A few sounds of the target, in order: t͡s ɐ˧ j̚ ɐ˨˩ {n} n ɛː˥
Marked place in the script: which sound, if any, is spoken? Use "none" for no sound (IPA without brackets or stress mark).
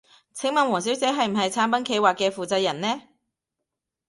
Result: n